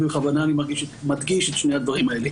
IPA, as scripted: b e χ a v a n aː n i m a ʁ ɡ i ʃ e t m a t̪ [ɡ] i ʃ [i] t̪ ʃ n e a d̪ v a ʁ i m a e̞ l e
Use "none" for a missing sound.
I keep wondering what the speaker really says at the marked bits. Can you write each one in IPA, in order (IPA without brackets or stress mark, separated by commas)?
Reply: ɡ, e